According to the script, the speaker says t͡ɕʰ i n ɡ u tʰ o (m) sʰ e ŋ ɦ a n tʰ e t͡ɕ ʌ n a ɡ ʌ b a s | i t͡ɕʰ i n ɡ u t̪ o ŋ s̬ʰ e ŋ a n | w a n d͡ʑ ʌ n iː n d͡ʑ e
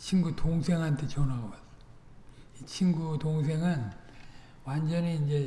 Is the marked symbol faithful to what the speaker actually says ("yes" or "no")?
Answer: no